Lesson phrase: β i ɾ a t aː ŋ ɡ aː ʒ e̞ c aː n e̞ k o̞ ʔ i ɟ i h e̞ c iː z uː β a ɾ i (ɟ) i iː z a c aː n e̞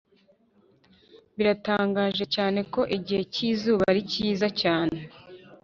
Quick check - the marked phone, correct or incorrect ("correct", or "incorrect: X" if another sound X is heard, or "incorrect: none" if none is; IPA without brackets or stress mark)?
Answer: incorrect: c